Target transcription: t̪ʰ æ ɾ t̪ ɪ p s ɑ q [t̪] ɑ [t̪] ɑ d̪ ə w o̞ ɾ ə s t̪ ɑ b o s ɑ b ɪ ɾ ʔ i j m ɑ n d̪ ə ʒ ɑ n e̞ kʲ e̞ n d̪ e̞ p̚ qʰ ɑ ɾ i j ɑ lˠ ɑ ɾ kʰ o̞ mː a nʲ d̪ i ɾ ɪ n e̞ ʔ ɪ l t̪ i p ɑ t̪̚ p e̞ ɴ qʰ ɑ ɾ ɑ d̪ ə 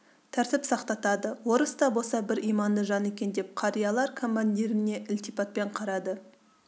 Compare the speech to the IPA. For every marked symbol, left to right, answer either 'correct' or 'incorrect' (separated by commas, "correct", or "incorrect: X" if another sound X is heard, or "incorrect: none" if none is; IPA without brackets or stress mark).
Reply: correct, correct